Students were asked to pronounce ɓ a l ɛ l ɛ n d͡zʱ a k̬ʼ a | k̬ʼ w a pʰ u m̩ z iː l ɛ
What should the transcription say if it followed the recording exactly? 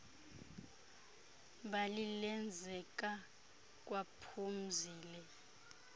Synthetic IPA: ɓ a l i l ɛ n d͡zʱ ɛ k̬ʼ a | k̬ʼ w a pʰ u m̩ z iː l ɛ